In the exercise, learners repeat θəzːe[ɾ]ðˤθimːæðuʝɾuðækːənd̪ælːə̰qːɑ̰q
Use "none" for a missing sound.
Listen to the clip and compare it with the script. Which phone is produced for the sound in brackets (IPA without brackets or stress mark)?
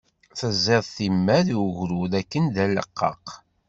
none